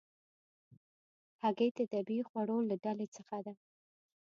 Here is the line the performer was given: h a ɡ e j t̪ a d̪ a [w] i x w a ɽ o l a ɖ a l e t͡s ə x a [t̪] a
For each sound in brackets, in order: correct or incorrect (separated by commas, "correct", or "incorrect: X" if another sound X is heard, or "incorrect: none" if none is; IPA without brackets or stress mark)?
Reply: incorrect: b, incorrect: d̪